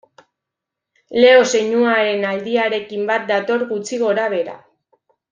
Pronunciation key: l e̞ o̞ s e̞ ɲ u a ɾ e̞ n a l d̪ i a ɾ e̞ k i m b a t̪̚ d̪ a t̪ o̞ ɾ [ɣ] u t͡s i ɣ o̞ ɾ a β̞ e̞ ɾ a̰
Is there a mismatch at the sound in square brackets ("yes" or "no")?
no